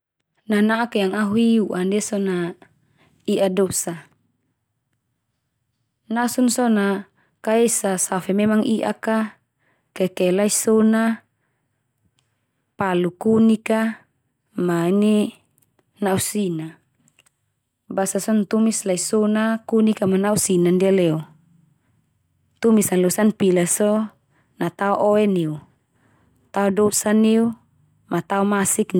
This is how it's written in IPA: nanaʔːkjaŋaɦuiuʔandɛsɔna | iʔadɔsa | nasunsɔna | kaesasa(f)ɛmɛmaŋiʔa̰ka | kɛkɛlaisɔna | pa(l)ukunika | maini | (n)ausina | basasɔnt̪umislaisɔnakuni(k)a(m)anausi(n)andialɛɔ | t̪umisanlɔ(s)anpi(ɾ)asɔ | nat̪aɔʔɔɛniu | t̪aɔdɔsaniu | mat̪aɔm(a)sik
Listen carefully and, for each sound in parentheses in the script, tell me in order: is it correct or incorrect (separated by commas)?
correct, correct, correct, correct, correct, correct, correct, incorrect, correct